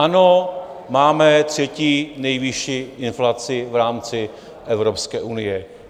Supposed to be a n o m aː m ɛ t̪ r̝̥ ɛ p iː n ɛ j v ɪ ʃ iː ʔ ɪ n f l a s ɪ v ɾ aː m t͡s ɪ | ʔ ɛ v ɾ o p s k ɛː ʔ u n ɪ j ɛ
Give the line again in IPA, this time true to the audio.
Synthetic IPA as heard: a n o m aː m ɛ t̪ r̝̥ ɛ c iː n ɛ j v ɪ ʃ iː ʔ ɪ n f l a t͡s ɪ v ɾ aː m t͡s ɪ | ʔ ɛ v ɾ o p s k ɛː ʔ u n ɪ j ɛ